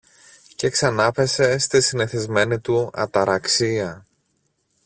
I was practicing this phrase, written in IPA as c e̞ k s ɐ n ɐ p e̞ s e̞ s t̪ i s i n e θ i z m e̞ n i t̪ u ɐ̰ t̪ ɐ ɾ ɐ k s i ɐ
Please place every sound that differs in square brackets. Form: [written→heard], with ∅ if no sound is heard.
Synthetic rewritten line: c e̞ k s ɐ n ɐ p e̞ s e̞ s t̪ i s i n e θ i z m e̞ n i t̪ u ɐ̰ t̪ ɐ ɾ ɐ k s i ɐ